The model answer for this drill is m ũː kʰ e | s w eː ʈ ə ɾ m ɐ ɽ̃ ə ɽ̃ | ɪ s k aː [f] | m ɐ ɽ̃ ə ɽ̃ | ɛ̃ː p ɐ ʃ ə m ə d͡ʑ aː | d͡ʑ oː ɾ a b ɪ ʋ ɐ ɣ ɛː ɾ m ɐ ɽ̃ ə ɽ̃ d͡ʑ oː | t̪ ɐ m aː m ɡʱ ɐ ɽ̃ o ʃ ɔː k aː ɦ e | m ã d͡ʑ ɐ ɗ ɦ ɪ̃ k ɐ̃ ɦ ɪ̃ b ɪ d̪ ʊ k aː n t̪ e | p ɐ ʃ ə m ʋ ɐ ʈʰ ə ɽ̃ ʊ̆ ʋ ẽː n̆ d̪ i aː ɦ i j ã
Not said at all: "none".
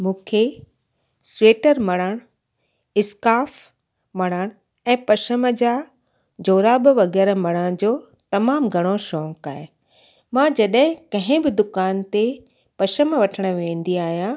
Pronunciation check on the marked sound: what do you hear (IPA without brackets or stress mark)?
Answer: f